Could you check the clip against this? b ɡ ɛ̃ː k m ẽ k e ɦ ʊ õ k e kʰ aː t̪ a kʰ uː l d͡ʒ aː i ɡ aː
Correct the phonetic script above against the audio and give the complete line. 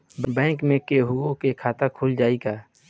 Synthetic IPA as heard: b b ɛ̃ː k m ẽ k e ɦ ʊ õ k e kʰ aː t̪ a kʰ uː l d͡ʒ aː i ɡ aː